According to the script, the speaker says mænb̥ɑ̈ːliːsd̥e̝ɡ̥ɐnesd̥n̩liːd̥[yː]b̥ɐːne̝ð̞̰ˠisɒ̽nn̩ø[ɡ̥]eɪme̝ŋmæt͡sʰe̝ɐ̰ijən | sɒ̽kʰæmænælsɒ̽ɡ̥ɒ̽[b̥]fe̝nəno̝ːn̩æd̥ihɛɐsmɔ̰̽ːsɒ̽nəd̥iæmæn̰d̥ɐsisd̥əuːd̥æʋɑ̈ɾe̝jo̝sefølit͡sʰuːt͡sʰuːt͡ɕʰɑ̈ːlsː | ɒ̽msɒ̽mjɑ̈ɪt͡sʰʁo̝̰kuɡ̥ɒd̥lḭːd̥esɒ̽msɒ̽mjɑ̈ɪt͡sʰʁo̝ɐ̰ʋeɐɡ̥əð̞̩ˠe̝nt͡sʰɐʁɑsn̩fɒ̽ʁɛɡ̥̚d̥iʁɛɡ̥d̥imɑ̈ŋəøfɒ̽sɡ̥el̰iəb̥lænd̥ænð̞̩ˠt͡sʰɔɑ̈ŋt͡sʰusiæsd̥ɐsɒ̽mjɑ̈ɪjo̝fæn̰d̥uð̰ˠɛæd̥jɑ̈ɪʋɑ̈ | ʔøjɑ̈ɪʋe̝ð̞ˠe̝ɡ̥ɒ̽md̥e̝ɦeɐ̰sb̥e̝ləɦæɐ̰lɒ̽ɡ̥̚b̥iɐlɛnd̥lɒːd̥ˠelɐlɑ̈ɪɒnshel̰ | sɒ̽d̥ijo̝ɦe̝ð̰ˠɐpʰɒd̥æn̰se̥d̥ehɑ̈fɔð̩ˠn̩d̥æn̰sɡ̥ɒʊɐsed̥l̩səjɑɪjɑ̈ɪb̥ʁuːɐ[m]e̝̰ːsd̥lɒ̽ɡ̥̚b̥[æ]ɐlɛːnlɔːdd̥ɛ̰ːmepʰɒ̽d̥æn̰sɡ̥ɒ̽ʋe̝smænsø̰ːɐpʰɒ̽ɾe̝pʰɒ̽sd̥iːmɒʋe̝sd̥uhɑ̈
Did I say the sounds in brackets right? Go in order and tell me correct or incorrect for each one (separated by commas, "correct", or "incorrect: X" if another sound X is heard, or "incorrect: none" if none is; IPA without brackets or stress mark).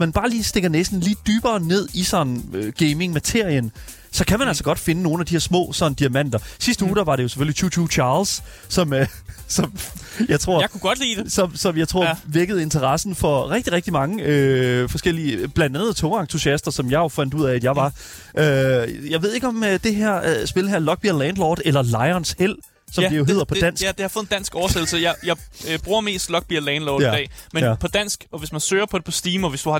correct, correct, incorrect: d̥, correct, incorrect: i